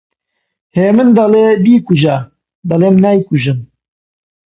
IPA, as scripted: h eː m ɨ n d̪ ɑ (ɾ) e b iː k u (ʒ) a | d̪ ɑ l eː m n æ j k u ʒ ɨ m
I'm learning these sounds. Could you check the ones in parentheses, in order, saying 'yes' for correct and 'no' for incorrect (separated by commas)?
no, yes